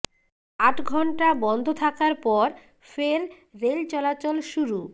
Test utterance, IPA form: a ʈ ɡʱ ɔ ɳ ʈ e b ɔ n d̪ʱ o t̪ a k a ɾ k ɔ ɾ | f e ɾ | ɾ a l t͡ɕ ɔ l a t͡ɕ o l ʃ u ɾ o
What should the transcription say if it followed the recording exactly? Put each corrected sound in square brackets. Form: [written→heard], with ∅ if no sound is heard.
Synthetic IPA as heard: a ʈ ɡʱ ɔ ɳ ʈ [e→a] b ɔ n d̪ʱ o [t̪→t̪ʰ] a k a ɾ [k→p] ɔ ɾ | f e ɾ | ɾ [a→e] l t͡ɕ ɔ l a t͡ɕ o l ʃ u ɾ [o→u]